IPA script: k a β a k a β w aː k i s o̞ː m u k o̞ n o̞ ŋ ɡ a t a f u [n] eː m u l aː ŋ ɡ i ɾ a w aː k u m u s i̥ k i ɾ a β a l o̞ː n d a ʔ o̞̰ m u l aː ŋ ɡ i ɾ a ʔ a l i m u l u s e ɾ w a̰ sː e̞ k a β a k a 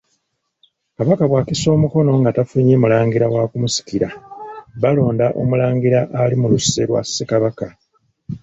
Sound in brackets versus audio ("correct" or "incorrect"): incorrect